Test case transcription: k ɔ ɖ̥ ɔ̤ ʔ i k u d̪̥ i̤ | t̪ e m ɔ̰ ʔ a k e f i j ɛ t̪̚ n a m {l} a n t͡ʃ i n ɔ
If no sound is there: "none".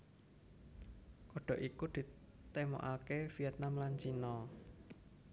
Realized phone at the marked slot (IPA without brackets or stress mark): l